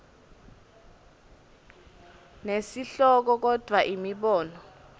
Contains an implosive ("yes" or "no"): yes